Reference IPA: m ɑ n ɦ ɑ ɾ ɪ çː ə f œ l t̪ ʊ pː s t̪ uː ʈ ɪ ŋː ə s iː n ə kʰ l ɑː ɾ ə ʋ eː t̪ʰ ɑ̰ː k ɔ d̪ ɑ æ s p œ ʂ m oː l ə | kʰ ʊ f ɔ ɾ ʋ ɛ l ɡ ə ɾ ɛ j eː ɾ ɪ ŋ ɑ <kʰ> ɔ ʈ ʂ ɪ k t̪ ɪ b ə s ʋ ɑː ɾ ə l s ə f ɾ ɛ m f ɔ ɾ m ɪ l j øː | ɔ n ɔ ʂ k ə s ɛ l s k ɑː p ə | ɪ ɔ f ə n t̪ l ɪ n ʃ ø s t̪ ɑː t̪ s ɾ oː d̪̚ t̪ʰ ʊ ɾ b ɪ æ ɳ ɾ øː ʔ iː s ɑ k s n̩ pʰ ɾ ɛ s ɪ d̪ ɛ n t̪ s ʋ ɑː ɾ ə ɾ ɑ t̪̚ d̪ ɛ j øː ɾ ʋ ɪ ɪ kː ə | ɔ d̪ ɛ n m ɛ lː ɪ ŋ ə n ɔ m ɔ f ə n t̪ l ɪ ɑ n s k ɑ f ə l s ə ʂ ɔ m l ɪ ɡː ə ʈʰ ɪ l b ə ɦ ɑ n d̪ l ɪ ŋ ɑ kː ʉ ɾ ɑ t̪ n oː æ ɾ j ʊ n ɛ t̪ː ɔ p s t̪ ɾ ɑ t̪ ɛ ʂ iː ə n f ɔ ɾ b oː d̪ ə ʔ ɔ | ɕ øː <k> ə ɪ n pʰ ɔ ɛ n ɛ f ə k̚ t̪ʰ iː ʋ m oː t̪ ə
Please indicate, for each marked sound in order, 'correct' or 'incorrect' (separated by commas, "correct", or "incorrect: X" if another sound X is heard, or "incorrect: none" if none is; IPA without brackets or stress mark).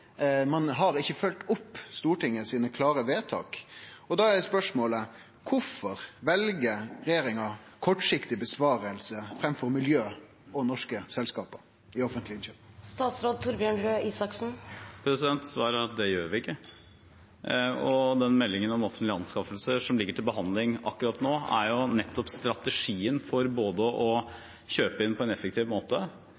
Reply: correct, incorrect: p